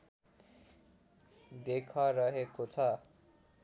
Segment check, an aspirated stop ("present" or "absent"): present